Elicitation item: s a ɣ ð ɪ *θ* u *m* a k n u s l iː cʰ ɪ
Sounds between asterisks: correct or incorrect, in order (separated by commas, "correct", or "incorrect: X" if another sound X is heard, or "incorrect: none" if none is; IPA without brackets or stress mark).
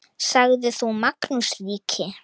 correct, correct